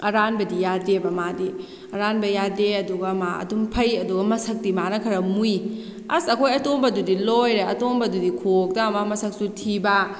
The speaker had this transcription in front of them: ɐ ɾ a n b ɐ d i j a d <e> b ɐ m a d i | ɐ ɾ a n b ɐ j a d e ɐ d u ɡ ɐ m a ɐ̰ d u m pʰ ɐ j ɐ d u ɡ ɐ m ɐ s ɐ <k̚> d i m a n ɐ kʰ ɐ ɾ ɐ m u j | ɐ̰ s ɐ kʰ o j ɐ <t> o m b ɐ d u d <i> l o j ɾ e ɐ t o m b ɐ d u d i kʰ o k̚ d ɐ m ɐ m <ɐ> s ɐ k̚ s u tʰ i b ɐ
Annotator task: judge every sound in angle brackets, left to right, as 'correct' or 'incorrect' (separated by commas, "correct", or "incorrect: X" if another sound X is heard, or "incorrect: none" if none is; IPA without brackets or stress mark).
correct, correct, correct, correct, correct